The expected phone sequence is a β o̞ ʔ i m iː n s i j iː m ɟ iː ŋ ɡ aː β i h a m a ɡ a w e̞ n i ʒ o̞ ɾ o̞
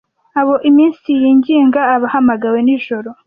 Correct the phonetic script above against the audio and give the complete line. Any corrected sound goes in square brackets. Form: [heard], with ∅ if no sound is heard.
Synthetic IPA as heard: a β o̞ ʔ i m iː n s i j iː [ɲ] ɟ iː ŋ ɡ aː β [a] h a m a ɡ a w e̞ n i ʒ o̞ ɾ o̞